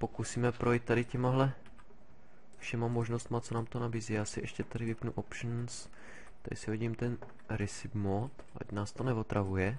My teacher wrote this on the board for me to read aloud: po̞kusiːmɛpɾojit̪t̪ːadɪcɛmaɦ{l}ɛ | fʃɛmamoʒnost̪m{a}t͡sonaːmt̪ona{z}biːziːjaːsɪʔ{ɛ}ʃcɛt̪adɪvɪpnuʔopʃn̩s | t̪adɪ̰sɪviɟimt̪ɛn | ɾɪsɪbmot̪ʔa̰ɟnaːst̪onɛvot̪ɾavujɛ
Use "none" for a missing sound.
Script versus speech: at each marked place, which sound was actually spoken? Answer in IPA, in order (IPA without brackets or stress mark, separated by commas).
l, a, none, ɛ